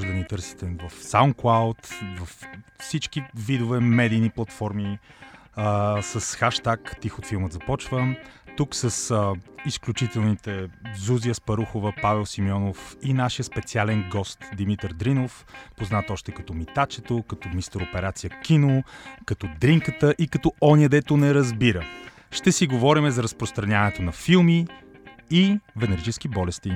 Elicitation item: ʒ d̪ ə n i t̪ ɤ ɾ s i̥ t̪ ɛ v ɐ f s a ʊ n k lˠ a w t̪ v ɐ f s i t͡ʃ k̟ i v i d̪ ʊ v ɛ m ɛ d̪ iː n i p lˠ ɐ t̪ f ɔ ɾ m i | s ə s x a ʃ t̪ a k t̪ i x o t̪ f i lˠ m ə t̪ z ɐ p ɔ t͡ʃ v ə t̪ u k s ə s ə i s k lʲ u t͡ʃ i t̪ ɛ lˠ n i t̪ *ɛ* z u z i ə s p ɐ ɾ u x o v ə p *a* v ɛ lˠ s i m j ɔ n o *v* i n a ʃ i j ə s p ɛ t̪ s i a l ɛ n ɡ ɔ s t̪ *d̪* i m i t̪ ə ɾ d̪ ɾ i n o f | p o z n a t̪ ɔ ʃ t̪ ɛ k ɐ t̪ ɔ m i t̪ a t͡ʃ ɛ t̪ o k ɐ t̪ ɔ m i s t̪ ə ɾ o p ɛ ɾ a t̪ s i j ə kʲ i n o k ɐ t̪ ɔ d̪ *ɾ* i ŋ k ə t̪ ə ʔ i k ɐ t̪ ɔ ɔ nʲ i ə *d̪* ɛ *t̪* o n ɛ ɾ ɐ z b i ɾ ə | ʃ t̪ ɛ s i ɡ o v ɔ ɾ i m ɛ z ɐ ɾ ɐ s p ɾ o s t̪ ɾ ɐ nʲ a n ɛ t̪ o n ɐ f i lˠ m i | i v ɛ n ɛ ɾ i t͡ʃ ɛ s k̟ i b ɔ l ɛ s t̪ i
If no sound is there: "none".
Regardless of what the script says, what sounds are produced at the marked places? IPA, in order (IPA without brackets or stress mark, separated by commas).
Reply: ɛ, a, f, d̪, ɾ, d̪, t̪